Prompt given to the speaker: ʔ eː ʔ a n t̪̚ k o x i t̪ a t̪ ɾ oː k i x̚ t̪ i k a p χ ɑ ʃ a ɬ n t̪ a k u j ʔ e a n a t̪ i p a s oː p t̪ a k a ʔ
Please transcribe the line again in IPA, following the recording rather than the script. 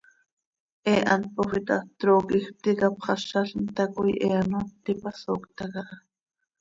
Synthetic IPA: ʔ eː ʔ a n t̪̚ p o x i t̪ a t̪ ɾ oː k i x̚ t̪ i k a p χ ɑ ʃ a ɬ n t̪ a k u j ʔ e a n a t̪ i p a s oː k t̪ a k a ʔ